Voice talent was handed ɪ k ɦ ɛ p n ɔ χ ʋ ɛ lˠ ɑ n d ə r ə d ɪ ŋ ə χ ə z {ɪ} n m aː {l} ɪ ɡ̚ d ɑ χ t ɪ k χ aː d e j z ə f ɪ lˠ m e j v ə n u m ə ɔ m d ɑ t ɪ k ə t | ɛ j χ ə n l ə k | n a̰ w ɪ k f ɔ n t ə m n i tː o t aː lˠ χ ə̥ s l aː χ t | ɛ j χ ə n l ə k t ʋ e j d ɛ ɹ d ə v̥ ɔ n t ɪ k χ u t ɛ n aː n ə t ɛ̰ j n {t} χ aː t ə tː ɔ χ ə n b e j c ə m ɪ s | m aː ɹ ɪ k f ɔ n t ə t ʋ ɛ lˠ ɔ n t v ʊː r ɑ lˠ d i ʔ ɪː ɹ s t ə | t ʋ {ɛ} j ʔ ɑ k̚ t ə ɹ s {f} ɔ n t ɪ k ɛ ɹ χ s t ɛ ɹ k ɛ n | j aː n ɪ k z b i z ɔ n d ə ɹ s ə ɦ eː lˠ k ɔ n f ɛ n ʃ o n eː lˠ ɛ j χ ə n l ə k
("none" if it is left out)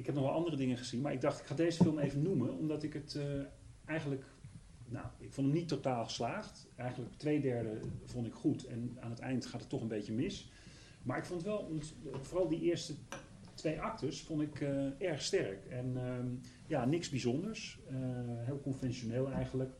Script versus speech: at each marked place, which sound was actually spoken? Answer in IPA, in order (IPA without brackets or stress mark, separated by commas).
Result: i, ɹ, t, e, f